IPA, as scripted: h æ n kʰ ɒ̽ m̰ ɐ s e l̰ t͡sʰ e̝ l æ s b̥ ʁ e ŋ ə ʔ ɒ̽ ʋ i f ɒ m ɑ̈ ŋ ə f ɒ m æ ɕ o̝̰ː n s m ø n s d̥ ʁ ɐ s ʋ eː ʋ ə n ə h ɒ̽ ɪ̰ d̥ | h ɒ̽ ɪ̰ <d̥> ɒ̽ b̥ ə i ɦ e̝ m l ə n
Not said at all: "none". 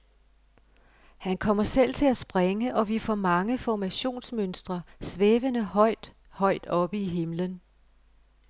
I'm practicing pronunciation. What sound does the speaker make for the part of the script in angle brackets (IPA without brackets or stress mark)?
d̥